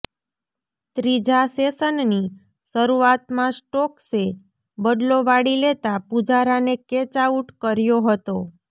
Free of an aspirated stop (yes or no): yes